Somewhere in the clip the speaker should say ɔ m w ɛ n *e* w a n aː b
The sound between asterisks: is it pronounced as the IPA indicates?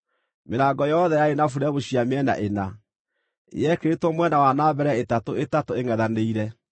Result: no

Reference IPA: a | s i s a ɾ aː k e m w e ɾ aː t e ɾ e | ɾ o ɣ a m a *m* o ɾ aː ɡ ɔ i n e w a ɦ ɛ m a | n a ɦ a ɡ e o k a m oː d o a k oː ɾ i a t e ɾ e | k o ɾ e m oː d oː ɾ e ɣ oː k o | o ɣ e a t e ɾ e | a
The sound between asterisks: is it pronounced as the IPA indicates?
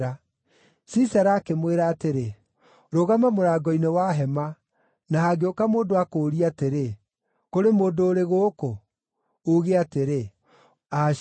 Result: yes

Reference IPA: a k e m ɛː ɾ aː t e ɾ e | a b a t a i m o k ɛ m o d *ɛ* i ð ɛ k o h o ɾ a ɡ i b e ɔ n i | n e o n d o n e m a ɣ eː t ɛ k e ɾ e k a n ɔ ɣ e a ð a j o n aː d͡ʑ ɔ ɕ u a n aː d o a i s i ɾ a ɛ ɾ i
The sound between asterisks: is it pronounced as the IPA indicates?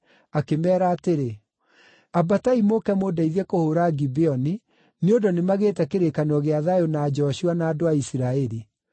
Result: no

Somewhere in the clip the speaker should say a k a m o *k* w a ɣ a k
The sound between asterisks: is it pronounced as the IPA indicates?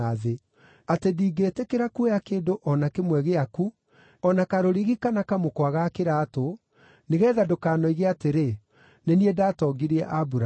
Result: yes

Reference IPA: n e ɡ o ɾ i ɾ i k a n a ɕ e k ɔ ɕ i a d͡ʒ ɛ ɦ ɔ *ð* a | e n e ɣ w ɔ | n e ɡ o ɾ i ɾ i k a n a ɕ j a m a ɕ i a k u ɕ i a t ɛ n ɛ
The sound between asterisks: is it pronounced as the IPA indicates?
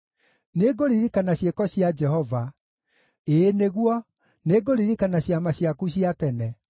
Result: no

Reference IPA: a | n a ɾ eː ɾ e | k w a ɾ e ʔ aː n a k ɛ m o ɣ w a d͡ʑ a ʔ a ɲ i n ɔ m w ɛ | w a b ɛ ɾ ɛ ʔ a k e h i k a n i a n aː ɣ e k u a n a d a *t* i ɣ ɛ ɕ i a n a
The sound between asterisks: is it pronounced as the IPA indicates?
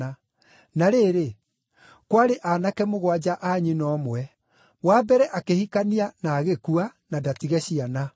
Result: yes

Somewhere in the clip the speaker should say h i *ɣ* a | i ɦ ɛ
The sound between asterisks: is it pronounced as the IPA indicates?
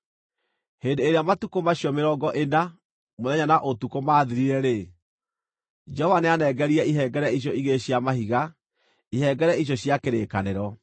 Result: yes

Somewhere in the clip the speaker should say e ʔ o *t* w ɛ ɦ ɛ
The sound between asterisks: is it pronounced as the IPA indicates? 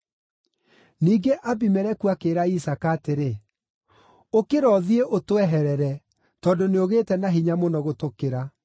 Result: yes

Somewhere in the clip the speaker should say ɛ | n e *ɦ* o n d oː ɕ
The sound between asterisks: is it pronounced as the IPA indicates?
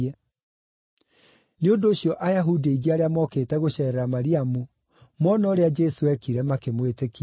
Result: no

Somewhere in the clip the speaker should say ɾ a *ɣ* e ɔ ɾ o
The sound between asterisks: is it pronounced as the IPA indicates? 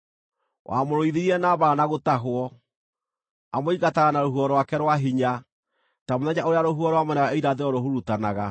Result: no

